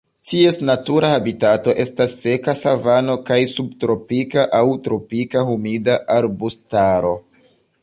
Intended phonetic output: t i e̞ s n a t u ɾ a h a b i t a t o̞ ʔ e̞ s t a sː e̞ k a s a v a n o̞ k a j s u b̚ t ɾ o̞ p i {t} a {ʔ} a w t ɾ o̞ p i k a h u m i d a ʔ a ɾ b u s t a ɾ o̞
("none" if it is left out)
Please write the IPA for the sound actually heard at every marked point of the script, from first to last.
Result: k, ʔ

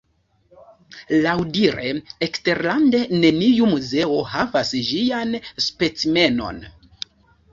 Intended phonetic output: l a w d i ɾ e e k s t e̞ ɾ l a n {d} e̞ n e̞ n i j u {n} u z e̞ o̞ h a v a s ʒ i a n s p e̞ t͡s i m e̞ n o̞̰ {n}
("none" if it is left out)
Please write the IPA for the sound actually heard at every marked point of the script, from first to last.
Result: d, m, n

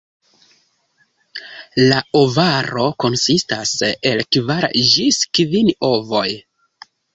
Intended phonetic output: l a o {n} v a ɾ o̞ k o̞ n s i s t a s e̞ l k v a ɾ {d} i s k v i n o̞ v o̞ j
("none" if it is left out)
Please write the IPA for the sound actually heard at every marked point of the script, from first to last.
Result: none, d͡ʒ

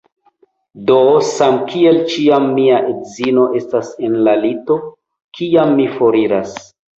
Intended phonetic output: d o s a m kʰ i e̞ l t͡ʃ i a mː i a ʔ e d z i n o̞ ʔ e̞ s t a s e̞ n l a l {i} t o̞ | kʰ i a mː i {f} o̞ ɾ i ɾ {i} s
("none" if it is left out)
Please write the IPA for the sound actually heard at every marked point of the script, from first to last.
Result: i, f, a

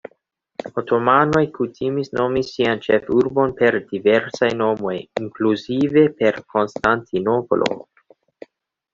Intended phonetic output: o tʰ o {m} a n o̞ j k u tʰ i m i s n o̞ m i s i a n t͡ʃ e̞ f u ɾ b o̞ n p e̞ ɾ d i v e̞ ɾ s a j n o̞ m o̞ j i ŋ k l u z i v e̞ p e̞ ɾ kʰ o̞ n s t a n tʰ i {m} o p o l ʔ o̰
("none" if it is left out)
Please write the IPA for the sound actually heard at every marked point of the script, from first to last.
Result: m, n

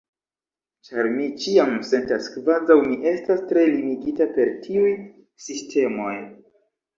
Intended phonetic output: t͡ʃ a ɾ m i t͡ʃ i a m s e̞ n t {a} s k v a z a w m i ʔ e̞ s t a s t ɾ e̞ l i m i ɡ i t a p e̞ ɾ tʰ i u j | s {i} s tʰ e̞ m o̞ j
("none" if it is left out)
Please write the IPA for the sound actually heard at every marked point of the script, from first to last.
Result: a, i

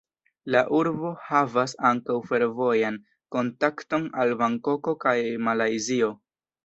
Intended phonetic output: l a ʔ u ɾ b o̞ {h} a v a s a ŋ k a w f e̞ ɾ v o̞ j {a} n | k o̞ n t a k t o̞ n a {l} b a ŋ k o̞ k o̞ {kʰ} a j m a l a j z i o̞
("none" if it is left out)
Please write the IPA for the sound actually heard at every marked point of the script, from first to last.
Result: h, a, l, k

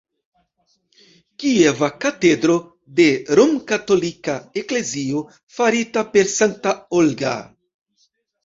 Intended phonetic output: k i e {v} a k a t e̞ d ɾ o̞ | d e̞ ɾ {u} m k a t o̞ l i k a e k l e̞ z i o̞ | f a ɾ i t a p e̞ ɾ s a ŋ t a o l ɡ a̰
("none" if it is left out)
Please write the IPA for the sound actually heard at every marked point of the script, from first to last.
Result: v, o

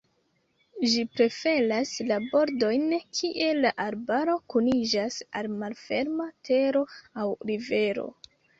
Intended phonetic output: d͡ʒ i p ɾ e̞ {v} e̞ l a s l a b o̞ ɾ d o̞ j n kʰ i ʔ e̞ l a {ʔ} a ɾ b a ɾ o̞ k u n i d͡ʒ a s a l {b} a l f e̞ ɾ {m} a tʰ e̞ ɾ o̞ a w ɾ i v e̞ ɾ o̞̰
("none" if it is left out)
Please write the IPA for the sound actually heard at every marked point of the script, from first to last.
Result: f, ʔ, m, m

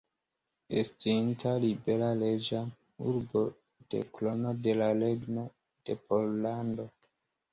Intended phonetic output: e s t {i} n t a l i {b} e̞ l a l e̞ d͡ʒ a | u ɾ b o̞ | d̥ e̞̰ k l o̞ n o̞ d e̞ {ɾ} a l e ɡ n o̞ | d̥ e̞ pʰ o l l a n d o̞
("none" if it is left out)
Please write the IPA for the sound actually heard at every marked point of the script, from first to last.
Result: i, b, l

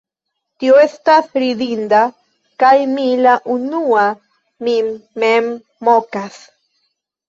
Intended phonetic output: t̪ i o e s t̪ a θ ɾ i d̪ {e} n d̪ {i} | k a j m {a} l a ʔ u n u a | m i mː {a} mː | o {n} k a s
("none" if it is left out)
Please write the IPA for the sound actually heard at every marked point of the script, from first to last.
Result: i, a, i, e, none

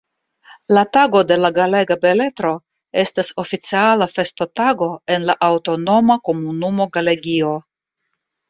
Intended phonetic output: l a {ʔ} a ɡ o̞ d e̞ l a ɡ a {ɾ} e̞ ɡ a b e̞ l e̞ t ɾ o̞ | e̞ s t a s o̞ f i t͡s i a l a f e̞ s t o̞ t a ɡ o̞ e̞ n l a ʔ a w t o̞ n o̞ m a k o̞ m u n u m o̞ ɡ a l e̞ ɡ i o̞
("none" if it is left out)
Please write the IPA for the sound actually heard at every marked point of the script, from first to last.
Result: t, l

